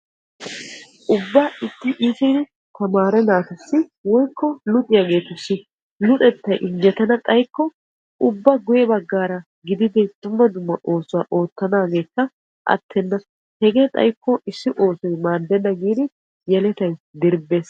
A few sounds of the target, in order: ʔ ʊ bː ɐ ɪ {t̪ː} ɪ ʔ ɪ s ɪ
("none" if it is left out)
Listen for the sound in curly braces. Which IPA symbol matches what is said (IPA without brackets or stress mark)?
t̪ː